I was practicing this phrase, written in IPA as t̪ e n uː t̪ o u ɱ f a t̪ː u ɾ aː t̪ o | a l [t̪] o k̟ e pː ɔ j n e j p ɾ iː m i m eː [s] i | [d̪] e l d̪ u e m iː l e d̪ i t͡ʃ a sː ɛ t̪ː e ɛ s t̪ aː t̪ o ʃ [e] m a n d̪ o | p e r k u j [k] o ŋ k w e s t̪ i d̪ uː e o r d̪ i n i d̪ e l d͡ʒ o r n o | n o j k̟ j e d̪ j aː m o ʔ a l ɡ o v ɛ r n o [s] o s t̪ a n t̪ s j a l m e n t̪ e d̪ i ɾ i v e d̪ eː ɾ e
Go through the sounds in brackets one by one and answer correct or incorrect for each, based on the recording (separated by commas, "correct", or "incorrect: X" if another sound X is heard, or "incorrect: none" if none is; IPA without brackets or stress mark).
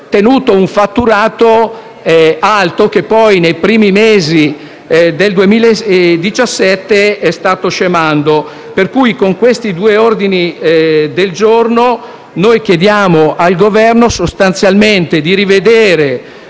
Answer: correct, incorrect: z, correct, correct, correct, correct